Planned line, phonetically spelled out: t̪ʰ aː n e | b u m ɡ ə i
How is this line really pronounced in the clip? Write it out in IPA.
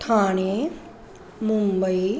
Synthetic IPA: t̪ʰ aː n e | m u m b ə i